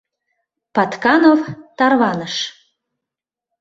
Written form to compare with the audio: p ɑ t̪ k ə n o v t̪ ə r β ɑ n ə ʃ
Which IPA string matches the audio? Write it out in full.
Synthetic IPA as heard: p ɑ t̪ k ɑ n o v t̪ ɑ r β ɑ n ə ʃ